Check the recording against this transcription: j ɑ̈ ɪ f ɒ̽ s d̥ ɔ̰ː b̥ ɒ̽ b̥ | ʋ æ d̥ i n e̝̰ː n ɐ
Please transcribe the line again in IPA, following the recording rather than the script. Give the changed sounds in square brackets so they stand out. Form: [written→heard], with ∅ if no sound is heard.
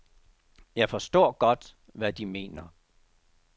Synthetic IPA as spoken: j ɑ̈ ɪ f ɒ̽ s d̥ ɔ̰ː [b̥→ɡ̥] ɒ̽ [b̥→d̥] | ʋ æ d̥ i [n→m] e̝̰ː n ɐ